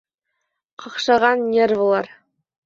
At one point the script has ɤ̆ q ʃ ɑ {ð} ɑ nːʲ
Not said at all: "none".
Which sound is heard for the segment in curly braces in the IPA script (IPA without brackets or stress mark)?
ʁ